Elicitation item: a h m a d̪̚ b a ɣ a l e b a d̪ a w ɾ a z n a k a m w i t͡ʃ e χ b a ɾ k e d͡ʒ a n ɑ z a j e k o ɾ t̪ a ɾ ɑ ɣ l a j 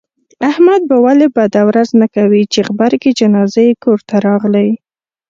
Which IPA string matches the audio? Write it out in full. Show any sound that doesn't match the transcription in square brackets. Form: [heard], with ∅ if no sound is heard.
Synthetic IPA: a h m a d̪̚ b a [w] a l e b a d̪ a w ɾ a z n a k a [∅] w i t͡ʃ e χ b a ɾ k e d͡ʒ a n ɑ z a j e k o ɾ t̪ a ɾ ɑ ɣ l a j